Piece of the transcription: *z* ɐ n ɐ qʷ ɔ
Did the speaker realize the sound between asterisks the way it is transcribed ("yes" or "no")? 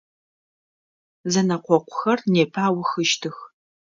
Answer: yes